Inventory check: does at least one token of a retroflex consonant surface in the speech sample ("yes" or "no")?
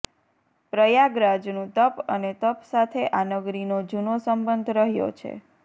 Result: no